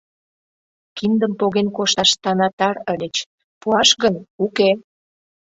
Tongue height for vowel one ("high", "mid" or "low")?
high